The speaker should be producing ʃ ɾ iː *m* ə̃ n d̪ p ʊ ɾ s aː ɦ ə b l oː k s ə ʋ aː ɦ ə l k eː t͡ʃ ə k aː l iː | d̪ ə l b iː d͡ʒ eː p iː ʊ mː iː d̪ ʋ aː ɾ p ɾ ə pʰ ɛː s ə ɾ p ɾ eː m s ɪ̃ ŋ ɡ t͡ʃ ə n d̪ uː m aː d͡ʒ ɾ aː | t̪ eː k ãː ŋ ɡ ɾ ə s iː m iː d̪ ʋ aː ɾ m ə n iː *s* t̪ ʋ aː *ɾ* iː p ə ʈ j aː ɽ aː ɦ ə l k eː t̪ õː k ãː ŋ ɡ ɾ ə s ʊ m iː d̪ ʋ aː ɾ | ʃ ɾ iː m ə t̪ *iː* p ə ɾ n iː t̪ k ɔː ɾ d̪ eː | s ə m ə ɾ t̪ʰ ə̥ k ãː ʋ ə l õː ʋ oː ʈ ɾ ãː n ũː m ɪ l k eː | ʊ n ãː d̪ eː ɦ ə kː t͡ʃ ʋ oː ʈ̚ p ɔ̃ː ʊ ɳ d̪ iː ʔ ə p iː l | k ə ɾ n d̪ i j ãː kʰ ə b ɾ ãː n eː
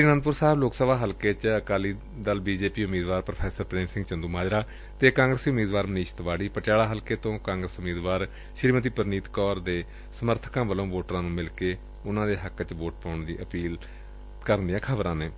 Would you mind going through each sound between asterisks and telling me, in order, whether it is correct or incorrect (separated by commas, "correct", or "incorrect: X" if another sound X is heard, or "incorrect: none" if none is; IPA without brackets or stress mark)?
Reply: incorrect: n, incorrect: ʃ, incorrect: ɽ, correct